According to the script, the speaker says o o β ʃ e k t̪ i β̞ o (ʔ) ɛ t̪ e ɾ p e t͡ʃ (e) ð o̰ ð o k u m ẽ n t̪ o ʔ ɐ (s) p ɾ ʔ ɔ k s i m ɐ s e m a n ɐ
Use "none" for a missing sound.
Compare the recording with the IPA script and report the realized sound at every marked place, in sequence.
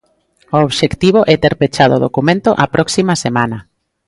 ʔ, a, none

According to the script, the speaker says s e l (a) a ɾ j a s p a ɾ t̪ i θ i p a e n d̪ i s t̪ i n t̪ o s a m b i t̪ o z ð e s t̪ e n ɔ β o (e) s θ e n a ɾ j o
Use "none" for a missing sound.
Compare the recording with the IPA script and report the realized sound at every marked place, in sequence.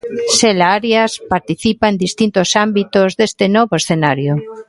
a, e

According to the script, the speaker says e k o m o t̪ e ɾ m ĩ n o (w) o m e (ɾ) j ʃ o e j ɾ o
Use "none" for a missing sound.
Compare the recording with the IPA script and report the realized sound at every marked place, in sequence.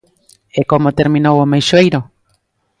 w, none

